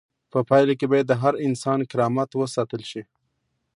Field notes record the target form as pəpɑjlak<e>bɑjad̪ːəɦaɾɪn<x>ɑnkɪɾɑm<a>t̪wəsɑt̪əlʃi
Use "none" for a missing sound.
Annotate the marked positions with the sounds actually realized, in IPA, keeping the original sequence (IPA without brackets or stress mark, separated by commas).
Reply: e, s, a